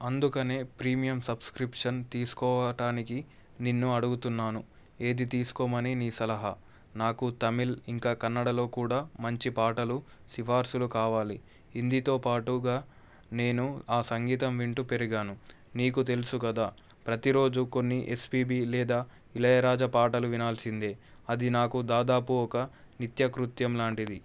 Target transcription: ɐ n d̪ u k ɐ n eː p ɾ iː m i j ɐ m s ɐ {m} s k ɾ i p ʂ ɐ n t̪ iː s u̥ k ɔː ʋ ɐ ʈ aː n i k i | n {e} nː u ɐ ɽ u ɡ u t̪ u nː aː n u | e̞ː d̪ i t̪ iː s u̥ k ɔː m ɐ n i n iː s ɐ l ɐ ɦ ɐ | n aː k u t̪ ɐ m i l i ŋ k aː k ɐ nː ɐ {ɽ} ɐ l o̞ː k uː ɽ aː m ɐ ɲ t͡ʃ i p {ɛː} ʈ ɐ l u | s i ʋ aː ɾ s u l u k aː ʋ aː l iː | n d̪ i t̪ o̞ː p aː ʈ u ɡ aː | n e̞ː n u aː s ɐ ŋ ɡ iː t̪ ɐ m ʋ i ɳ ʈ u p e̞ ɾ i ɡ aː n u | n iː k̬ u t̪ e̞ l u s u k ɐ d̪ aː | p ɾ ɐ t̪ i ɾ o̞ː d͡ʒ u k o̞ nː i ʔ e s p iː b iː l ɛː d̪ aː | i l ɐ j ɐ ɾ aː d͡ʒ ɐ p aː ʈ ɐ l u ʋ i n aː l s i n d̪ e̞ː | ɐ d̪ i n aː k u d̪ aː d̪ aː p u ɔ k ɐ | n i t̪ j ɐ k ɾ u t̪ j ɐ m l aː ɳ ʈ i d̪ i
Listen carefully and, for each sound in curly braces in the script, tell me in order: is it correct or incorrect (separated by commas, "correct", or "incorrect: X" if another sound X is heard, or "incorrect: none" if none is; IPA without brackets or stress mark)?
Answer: incorrect: b, incorrect: i, correct, incorrect: aː